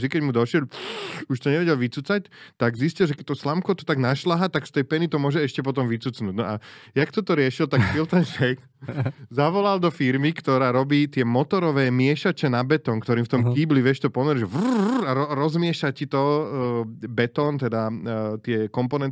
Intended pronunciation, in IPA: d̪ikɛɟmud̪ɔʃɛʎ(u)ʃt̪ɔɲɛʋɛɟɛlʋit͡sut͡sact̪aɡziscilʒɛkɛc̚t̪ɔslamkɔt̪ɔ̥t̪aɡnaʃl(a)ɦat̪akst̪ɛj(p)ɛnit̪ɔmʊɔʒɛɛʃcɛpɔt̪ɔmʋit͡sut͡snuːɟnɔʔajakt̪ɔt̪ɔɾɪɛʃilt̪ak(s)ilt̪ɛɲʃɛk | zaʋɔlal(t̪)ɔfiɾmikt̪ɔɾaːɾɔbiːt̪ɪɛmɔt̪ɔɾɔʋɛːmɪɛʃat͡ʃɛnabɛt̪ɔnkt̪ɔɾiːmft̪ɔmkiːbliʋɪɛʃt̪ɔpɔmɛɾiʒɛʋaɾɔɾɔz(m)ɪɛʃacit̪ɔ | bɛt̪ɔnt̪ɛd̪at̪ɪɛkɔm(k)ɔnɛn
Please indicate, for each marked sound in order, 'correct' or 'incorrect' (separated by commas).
correct, correct, correct, incorrect, incorrect, correct, incorrect